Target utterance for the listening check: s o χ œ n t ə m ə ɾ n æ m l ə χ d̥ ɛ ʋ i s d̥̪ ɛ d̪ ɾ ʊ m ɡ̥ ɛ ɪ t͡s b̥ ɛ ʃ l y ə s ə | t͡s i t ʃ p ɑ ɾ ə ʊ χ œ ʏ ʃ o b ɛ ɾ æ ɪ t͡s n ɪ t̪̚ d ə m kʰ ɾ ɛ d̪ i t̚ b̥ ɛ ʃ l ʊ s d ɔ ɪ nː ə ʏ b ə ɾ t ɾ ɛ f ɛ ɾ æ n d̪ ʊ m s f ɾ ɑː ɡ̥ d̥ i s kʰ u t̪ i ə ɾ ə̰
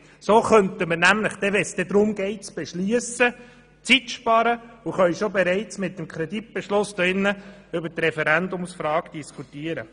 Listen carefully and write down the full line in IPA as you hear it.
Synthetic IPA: s o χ œ n t ə m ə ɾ n æ m l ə χ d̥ ɛ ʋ ɛ s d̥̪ ɛ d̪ ɾ ʊ m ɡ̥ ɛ ɪ t͡s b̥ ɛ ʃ l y ə s ə | t͡s i t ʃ p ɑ ɾ ə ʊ χ œ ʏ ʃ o b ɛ ɾ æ ɪ t͡s m ɪ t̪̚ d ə m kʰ ɾ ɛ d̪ i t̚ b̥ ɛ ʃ l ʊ s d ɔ ɪ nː ə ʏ b ə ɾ t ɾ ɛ f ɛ ɾ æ n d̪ ʊ m s f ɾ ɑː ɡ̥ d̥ i s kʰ u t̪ i ə ɾ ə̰